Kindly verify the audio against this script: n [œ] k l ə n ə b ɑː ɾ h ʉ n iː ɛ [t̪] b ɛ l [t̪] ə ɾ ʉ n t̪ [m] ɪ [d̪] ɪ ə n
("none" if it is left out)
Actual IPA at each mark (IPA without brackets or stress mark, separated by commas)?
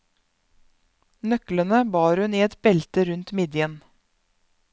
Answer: œ, t̪, t̪, m, d̪